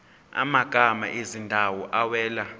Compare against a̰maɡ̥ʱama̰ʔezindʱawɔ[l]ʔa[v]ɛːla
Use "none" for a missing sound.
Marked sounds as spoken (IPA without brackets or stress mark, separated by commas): none, w